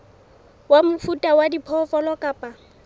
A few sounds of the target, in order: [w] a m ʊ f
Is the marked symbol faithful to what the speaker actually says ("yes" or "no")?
yes